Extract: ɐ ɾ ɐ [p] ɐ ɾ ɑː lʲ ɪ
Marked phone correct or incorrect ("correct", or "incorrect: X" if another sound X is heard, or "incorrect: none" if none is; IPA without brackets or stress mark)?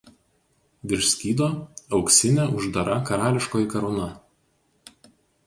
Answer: incorrect: k